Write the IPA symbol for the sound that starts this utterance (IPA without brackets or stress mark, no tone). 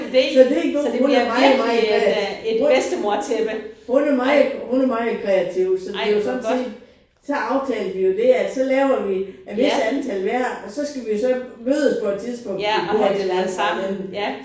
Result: s